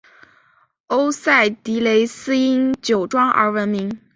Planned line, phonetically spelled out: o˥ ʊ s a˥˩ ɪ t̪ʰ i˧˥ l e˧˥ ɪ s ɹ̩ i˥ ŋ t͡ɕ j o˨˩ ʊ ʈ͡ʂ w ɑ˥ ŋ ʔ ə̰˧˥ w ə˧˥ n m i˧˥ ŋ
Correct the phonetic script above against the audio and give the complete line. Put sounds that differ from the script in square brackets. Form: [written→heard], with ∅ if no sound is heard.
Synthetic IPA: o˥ ʊ s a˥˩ ɪ [t̪ʰ→t̪] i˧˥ l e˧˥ ɪ s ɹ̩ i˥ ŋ t͡ɕ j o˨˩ ʊ ʈ͡ʂ w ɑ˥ ŋ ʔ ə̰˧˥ w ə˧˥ n m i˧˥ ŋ